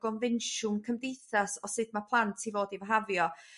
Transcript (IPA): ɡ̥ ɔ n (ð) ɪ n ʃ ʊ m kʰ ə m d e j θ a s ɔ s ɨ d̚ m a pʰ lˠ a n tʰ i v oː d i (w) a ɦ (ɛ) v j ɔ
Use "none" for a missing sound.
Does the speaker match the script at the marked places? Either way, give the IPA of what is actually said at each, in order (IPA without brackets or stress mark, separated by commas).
v, v, a